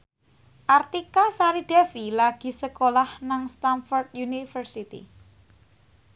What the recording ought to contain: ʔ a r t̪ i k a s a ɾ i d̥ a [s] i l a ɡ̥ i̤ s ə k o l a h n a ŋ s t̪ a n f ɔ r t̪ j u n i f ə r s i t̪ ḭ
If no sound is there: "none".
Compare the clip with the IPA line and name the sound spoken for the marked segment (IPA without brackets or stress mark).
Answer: f